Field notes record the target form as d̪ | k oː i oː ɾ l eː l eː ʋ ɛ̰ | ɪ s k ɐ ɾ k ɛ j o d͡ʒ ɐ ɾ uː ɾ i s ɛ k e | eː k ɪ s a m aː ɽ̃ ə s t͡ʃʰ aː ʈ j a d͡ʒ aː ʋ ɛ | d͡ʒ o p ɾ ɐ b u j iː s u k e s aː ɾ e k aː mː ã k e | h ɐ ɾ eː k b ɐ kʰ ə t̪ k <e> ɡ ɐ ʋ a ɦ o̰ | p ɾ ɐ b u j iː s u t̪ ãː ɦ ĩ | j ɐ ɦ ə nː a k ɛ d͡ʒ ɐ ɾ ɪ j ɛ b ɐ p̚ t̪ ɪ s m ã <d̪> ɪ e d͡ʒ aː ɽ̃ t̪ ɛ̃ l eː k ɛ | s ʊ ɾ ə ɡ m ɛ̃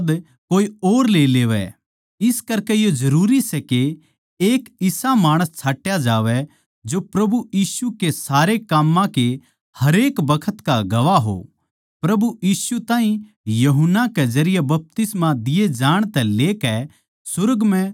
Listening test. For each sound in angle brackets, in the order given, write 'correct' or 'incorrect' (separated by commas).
incorrect, correct